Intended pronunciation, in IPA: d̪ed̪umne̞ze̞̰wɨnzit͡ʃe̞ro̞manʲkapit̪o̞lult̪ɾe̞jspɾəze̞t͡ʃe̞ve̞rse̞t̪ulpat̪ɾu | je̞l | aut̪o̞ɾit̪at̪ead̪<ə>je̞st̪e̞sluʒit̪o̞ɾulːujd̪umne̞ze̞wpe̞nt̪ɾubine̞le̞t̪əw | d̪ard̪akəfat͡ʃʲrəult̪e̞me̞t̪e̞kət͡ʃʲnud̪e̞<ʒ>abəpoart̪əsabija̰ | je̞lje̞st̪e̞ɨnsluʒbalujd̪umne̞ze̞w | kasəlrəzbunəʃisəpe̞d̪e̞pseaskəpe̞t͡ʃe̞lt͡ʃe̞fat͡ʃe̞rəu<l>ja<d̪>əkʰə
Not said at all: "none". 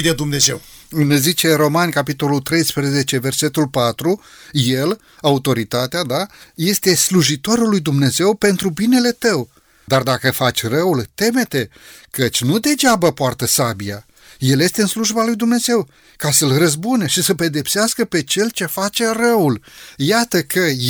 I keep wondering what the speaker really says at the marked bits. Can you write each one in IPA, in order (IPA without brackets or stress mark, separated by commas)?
a, d͡ʒ, l, t̪